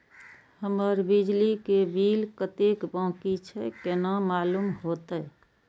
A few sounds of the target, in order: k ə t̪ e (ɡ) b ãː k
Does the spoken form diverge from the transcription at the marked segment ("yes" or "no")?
yes